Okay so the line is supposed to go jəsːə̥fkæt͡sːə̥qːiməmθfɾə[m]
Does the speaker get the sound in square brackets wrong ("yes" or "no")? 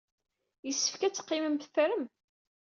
no